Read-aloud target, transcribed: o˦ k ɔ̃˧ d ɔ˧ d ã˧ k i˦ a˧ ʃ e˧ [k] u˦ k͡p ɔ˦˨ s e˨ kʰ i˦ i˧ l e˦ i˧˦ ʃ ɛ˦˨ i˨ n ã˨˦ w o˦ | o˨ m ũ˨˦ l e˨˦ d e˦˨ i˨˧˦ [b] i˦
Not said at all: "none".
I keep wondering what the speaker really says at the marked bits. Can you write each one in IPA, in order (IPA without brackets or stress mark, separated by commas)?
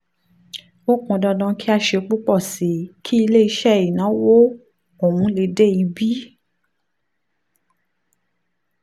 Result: k͡p, b